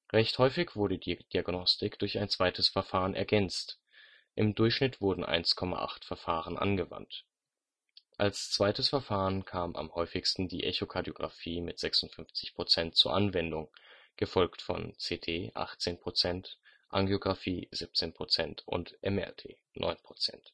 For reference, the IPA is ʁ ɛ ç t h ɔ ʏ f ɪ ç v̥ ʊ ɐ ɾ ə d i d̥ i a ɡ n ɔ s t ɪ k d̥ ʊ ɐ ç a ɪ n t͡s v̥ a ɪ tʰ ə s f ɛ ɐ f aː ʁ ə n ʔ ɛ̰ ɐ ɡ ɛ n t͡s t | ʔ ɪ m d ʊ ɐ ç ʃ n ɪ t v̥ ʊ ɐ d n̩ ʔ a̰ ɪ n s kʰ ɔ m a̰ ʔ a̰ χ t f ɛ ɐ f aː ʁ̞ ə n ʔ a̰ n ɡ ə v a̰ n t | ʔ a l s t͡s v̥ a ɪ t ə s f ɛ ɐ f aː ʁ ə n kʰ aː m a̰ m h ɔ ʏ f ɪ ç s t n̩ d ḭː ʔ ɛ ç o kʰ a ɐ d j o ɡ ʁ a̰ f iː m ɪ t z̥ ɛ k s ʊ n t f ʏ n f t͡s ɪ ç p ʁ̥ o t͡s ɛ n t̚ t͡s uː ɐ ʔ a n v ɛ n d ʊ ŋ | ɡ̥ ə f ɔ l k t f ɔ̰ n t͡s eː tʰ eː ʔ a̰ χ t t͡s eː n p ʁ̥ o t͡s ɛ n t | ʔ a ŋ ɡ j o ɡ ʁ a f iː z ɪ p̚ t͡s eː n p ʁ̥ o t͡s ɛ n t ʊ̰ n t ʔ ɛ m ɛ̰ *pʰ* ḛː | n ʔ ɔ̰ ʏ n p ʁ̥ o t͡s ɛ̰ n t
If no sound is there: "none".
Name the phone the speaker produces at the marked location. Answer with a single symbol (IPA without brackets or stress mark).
tʰ